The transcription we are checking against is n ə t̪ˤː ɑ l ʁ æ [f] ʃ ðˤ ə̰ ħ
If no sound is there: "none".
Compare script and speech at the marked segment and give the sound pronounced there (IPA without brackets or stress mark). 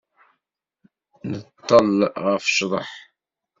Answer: f